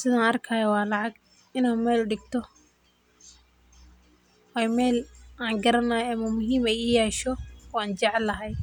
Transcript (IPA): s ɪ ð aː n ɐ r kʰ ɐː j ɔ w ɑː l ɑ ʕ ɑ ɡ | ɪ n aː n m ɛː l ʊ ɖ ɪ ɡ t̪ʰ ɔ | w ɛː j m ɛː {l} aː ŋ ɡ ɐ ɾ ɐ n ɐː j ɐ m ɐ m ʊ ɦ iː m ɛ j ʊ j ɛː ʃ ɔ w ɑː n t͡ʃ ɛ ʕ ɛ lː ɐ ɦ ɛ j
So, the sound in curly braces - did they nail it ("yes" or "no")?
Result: yes